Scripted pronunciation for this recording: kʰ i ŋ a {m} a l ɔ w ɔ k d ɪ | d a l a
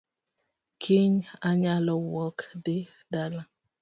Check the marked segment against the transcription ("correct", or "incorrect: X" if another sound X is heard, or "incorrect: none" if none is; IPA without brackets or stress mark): incorrect: ɲ